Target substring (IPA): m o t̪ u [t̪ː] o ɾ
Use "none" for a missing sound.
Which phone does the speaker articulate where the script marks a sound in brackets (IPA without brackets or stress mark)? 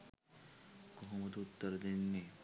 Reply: t̪ː